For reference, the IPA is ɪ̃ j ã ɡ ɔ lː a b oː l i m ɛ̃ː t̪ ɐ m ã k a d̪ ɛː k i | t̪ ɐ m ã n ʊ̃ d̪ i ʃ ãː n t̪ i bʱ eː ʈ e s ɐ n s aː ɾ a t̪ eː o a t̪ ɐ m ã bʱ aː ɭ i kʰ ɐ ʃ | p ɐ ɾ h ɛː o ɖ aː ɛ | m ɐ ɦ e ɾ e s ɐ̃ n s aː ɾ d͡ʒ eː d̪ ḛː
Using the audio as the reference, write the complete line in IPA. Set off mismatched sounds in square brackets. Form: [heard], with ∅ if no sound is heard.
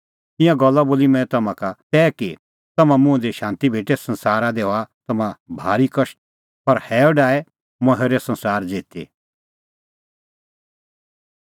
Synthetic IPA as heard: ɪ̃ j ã ɡ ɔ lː a b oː l i m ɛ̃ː t̪ ɐ m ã k a [t̪] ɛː k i | t̪ ɐ m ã [m] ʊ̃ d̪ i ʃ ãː n t̪ i bʱ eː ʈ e s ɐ n s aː ɾ a [d̪] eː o a t̪ ɐ m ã bʱ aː [ɾ] i [k] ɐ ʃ | p ɐ ɾ h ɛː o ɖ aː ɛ | m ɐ ɦ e ɾ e s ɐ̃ n s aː ɾ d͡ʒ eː [t̪] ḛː